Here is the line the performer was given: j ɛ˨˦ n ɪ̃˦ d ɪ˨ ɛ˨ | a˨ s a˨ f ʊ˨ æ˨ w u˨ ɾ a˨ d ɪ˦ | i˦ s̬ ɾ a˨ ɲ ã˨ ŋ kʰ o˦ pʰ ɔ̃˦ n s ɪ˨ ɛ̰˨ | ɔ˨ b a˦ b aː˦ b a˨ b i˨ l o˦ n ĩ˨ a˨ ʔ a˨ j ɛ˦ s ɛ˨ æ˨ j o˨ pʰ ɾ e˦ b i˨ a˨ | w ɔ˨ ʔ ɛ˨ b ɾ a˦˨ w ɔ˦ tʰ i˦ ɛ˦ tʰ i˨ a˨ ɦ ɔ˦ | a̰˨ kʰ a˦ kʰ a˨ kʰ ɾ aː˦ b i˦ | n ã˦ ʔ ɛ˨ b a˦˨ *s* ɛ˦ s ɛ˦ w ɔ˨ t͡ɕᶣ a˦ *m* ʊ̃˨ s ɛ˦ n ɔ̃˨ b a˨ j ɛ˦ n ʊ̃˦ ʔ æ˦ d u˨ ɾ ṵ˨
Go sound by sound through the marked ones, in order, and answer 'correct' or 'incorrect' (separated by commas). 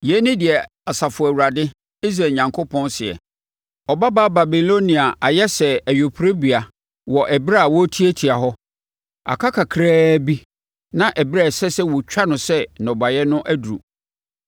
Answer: correct, incorrect